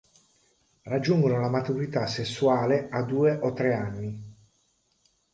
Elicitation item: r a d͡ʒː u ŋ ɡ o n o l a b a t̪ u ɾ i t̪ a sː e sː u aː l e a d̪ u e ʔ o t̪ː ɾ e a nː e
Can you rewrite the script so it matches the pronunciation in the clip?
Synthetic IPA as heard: r a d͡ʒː u ŋ ɡ o n o l a m a t̪ u ɾ i t̪ a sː e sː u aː l e a d̪ uː e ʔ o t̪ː ɾ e a nː i